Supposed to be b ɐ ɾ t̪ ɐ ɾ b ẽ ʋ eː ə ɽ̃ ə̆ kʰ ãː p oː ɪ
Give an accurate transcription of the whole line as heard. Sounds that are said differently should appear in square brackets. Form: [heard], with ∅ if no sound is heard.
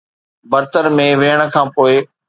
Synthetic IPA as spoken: b ɐ ɾ t̪ [ə] ɾ [m] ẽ ʋ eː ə ɽ̃ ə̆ kʰ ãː p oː ɪ